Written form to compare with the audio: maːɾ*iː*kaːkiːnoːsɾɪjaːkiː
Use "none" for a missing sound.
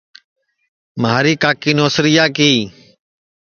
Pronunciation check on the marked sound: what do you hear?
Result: iː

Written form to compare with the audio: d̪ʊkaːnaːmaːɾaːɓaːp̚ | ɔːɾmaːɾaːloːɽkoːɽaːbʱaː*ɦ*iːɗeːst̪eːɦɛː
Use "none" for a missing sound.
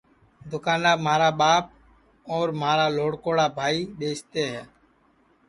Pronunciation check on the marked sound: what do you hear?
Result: none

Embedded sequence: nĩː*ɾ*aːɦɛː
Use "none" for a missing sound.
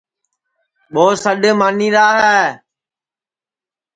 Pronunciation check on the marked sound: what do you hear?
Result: ɾ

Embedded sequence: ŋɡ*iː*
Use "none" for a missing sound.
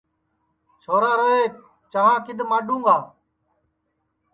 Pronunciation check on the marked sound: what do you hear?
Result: aː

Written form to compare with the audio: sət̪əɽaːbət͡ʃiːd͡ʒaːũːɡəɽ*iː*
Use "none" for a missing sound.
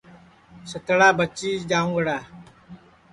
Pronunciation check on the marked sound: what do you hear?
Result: aː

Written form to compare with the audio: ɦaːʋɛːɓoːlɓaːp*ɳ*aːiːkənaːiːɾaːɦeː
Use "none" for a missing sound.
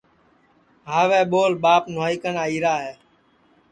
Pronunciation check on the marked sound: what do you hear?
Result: n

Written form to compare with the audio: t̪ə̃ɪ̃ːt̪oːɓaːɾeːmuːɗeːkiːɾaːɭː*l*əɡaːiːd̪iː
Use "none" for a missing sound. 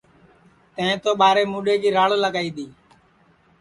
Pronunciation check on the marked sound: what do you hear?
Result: l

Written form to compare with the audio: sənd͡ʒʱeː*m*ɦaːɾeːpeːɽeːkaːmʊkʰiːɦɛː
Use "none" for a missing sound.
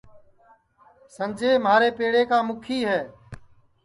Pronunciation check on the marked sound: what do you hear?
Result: m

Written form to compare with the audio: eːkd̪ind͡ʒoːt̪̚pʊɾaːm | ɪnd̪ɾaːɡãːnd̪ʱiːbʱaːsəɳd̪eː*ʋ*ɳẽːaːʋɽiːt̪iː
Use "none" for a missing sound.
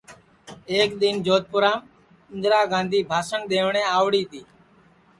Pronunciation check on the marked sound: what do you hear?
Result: ʋ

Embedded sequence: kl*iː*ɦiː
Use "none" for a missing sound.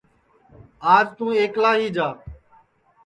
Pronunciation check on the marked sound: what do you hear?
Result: aː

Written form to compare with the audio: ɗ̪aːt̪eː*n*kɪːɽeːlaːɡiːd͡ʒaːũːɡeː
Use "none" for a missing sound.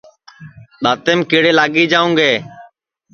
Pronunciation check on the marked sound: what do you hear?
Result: m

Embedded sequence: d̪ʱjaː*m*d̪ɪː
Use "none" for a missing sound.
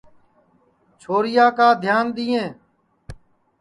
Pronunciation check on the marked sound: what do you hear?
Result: n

